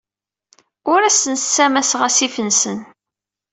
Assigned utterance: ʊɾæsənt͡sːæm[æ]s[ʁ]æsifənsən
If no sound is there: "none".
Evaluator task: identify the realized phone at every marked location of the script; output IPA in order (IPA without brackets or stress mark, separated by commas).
æ, ʁ